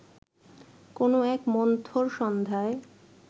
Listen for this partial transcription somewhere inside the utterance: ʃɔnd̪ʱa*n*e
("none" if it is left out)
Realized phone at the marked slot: none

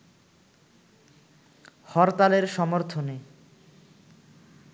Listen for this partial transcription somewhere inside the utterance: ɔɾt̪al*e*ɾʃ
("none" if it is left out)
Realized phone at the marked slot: e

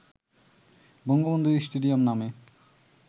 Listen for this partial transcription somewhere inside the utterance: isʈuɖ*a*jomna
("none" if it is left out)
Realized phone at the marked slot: i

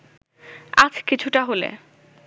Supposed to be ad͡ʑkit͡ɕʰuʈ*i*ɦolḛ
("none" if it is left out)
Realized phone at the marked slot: a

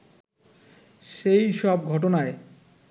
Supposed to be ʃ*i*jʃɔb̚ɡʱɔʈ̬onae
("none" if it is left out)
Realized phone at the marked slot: e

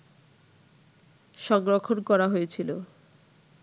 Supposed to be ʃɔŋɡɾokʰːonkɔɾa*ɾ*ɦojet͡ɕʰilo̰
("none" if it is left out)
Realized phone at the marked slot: none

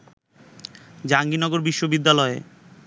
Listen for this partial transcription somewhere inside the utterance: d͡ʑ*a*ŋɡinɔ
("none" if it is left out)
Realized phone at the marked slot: a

